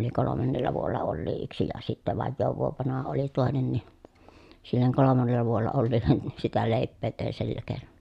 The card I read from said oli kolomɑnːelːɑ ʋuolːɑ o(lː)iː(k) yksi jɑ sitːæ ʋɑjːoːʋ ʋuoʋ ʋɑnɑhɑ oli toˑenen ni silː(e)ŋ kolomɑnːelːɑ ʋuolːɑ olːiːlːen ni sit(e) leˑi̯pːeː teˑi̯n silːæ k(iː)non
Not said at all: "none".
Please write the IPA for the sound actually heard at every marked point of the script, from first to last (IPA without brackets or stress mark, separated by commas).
lː, none, e, æ, eː